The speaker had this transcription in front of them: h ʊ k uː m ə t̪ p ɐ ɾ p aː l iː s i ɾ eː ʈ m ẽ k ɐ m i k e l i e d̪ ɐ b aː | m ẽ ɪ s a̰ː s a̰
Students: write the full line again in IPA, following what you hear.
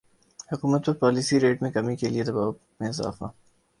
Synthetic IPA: h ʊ k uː m ə t̪ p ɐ ɾ p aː l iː s i ɾ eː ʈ m ẽ k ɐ m i k e l i e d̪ ɐ b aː | m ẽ ɪ z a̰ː f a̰